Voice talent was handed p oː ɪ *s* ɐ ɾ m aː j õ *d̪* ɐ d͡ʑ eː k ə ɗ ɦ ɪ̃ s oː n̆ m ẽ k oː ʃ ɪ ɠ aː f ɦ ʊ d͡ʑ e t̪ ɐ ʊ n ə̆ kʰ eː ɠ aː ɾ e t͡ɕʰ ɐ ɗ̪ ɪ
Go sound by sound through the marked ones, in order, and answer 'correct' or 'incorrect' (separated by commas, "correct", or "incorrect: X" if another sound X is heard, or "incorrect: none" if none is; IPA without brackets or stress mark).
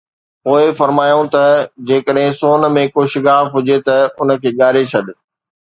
incorrect: f, incorrect: t̪